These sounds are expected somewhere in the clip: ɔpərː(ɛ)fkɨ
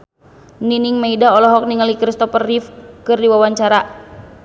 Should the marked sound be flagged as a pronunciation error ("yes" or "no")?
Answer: yes